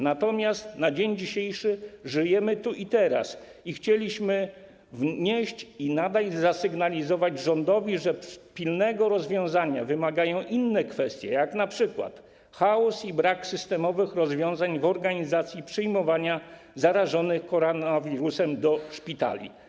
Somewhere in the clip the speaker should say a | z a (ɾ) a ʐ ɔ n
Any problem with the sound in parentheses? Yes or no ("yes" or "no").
no